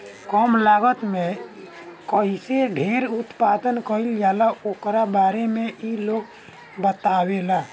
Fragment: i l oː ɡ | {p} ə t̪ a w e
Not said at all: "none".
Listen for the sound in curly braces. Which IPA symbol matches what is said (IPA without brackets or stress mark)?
b